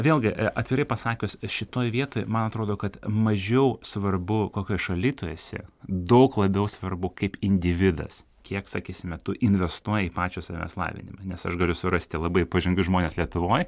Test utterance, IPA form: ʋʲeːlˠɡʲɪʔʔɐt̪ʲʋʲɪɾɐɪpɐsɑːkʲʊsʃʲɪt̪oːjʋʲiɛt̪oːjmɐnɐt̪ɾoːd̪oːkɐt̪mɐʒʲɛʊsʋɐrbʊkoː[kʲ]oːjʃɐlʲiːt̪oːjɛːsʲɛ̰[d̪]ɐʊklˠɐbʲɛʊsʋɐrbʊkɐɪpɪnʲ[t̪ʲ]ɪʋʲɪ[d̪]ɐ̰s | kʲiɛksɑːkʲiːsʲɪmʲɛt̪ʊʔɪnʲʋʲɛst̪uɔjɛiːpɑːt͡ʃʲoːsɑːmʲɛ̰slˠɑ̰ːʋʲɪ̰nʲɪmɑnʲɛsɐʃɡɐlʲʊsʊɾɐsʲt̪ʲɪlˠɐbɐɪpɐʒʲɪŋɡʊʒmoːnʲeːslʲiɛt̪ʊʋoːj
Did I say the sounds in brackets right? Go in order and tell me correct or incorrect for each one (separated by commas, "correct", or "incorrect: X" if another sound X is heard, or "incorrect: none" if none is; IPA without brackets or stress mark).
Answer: correct, correct, incorrect: d̪ʲ, correct